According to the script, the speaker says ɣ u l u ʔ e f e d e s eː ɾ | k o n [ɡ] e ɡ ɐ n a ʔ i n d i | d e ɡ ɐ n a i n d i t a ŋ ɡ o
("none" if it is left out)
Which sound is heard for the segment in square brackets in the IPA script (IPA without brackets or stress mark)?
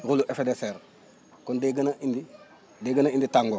d